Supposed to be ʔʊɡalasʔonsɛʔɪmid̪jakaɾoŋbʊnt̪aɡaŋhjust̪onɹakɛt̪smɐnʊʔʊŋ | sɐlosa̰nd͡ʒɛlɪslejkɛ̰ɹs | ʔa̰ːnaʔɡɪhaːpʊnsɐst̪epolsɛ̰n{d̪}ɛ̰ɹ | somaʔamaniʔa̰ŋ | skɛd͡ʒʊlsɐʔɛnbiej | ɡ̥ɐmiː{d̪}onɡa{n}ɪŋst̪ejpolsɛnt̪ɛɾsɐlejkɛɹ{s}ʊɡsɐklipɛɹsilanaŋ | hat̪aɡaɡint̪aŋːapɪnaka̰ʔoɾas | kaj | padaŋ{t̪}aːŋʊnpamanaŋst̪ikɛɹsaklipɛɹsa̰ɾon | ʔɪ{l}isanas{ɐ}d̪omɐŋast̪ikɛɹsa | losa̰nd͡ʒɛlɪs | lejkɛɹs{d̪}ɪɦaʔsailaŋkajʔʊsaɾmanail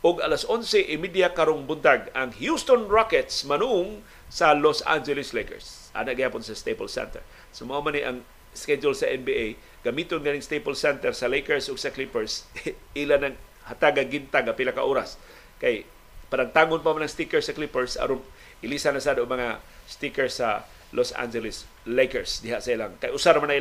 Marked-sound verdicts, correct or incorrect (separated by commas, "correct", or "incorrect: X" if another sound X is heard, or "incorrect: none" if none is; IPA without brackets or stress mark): incorrect: t̪, incorrect: t̪, correct, correct, correct, correct, incorrect: a, correct